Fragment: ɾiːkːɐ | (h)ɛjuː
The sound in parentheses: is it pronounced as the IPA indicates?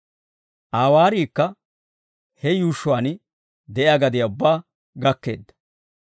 yes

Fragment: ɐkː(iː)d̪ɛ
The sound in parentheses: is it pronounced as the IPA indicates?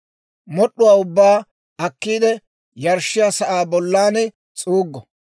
yes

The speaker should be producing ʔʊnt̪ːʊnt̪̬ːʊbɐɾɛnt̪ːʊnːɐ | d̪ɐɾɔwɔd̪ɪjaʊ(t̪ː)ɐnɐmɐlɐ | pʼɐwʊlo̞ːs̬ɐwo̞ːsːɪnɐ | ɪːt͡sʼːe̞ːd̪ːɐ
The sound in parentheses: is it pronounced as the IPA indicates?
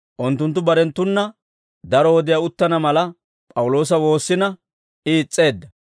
yes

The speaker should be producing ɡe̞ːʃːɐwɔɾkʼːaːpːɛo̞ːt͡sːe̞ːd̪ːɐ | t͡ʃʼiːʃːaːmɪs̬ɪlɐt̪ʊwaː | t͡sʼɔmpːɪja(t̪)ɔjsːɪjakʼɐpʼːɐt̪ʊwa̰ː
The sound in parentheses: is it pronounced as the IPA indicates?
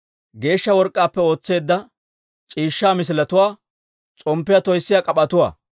yes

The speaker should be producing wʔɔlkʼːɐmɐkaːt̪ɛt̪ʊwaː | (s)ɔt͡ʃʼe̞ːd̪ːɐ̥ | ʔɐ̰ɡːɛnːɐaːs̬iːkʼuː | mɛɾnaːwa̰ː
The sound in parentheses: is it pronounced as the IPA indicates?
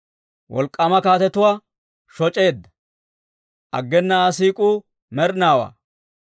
no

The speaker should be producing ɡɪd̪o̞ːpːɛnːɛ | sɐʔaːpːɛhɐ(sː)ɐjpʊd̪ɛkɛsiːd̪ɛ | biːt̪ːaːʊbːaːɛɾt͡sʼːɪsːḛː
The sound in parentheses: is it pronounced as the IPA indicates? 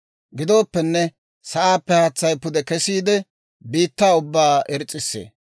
no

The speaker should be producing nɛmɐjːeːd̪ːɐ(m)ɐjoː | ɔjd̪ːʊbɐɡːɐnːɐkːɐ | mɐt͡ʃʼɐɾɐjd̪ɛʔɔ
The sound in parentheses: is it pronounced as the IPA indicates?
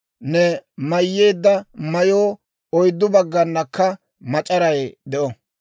yes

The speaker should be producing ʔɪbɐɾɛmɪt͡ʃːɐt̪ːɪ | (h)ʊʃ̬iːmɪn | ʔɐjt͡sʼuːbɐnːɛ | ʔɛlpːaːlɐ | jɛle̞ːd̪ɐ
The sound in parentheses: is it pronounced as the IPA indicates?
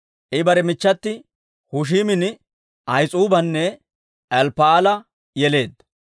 yes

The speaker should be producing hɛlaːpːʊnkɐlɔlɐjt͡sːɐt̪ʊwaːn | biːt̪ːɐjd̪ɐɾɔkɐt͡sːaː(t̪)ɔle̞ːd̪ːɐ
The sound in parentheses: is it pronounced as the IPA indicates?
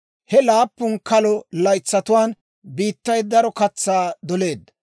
no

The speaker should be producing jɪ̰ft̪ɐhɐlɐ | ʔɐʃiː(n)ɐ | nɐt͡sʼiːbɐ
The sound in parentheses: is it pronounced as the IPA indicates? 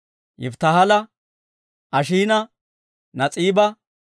yes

